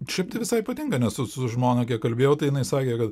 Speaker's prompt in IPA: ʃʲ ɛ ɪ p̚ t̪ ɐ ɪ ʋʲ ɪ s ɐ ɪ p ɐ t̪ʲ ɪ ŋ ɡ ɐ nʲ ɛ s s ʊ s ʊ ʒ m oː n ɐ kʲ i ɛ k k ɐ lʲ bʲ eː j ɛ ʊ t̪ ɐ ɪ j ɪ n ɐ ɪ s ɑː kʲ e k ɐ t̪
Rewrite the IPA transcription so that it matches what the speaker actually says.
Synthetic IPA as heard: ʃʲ ɛ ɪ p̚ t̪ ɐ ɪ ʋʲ ɪ s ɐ ɪ p ɐ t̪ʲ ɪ ŋ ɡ ɐ nʲ ɛ s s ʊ s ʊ ʒ m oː n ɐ kʲ i ɛ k k ɐ lʲ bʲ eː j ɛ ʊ t̪ ɐ ɪ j ɪ n ɐ ɪ s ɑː kʲ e k ɐ t̪

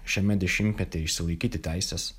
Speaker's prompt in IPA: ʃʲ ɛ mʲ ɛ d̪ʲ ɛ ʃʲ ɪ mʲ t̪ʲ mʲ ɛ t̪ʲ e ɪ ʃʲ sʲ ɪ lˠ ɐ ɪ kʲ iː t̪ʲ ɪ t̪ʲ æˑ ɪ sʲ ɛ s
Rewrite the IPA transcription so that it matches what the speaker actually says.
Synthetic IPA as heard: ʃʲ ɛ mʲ ɛ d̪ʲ ɛ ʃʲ ɪ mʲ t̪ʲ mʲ ɛ t̪ʲ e ɪ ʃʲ sʲ ɪ lˠ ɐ ɪ kʲ iː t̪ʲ ɪ t̪ʲ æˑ ɪ sʲ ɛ s

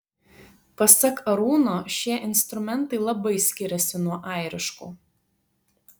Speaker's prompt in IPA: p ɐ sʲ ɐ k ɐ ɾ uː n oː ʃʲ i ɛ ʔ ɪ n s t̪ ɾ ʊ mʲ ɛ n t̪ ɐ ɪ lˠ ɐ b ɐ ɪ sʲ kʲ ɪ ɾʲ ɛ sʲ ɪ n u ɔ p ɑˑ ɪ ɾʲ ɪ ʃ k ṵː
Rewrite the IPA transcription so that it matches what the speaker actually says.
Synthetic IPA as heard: p ɐ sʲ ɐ k ɐ ɾ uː n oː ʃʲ i ɛ ʔ ɪ n s t̪ ɾ ʊ mʲ ɛ n t̪ ɐ ɪ lˠ ɐ b ɐ ɪ sʲ kʲ ɪ ɾʲ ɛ sʲ ɪ n u ɔ ʔ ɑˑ ɪ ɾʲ ɪ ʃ k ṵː

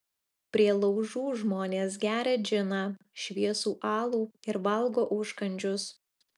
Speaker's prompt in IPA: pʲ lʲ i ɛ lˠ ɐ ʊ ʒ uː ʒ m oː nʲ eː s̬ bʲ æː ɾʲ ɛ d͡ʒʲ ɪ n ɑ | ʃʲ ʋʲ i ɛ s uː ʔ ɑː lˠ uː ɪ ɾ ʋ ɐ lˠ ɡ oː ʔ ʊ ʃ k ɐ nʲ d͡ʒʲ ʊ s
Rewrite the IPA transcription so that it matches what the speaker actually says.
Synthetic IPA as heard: pʲ ɾʲ i ɛ lˠ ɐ ʊ ʒ uː ʒ m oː nʲ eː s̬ ɡʲ æː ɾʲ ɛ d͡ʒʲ ɪ n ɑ | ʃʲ ʋʲ i ɛ s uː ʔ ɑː lˠ uː ɪ ɾ ʋ ɐ lˠ ɡ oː ʔ ʊ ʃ k ɐ nʲ d͡ʒʲ ʊ s

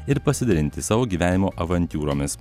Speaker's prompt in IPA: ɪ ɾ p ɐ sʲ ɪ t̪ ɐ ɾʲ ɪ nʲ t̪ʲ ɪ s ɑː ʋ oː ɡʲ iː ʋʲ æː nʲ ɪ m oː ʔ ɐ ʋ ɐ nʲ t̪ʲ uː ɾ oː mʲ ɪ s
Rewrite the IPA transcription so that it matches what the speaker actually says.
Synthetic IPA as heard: ɪ ɾ p ɐ sʲ ɪ d̪ ɐ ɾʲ ɪ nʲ t̪ʲ ɪ s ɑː ʋ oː ɡʲ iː ʋʲ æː nʲ ɪ m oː ʔ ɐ ʋ ɐ nʲ t̪ʲ uː ɾ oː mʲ ɪ s

